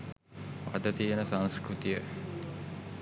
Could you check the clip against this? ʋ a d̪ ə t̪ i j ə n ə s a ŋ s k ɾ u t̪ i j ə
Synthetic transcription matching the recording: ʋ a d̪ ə t̪ i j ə n ə s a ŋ s k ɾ u t̪ i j ə